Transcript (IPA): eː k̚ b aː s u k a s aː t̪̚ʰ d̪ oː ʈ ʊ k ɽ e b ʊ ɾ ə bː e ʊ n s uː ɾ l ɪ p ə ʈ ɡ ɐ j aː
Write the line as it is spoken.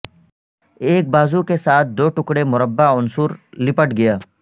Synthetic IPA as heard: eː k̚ b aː z u k e s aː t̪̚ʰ d̪ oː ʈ ʊ k ɽ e m ʊ ɾ ə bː a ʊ n s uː ɾ l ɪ p ə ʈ ɡ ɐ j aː